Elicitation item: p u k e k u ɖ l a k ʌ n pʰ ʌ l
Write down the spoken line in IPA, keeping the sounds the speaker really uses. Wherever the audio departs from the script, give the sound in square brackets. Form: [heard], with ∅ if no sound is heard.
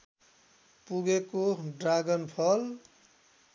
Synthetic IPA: p u [ɡ] e k [o] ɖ [r] a [ɡ] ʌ n pʰ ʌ l